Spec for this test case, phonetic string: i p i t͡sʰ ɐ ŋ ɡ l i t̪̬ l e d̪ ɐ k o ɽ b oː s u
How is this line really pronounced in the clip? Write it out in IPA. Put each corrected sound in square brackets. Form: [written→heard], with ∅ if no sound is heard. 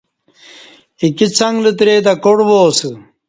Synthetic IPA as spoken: i [p→k] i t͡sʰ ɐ ŋ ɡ l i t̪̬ [l→ɾ] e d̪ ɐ k o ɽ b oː s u